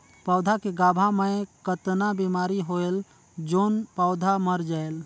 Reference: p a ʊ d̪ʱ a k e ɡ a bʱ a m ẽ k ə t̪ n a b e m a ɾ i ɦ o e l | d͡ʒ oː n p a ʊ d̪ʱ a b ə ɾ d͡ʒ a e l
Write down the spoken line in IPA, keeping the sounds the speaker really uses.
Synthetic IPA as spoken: p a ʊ d̪ʱ a k e ɡ a bʱ a m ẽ k ə t̪ n a b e m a ɾ i ɦ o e l | d͡ʒ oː n p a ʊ d̪ʱ a m ə ɾ d͡ʒ a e l